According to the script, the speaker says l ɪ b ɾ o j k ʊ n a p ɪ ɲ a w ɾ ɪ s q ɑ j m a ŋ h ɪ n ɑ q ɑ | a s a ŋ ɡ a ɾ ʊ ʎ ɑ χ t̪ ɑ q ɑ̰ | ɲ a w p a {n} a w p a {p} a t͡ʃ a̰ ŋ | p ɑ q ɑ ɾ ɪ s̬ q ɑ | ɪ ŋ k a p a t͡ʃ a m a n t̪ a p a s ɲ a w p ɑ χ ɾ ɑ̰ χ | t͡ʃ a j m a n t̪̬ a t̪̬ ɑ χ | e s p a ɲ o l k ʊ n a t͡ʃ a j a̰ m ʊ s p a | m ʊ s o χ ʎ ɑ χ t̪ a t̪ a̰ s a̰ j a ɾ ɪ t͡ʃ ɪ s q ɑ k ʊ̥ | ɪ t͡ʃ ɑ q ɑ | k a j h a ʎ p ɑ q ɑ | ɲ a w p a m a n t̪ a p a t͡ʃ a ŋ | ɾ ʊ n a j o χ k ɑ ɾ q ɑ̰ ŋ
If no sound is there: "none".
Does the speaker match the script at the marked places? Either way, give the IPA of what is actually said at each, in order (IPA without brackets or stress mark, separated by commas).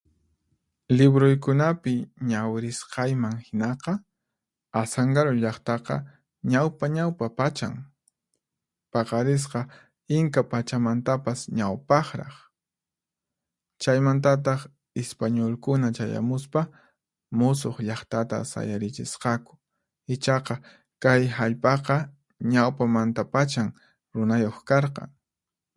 ɲ, p